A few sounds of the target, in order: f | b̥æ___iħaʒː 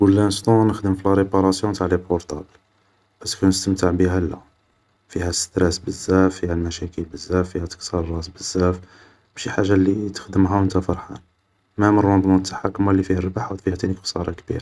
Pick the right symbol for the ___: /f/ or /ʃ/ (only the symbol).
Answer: ʃ